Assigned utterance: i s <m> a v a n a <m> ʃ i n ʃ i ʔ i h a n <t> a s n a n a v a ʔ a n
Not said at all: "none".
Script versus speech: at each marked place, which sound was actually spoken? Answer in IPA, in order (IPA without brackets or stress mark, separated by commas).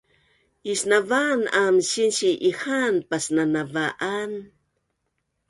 n, m, p